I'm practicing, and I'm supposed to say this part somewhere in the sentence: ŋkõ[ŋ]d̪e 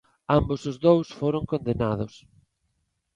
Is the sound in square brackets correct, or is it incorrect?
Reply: incorrect